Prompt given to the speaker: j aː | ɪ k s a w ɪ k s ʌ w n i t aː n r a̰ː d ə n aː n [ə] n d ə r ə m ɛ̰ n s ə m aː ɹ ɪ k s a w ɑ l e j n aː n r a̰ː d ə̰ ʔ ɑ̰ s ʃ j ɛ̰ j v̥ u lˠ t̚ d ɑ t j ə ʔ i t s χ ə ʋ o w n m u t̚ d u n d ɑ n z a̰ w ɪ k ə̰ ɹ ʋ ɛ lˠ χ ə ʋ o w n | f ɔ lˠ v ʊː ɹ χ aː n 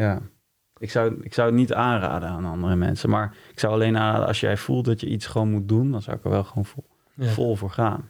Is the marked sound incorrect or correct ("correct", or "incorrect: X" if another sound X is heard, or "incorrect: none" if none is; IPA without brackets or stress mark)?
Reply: incorrect: ɑ